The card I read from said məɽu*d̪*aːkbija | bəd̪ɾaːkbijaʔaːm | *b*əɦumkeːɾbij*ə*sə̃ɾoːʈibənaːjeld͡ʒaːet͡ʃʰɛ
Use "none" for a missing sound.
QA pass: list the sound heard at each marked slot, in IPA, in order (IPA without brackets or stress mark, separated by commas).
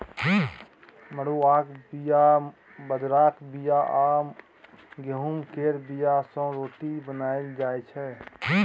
none, ɡ, a